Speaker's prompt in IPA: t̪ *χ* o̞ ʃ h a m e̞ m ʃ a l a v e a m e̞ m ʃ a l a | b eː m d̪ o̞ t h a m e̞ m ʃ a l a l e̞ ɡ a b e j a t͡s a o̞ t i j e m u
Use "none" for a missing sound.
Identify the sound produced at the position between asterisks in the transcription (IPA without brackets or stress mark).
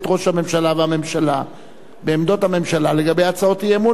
ʁ